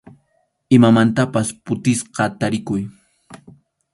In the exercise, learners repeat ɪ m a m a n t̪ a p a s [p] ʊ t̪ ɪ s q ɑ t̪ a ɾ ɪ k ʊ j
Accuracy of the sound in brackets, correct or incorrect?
correct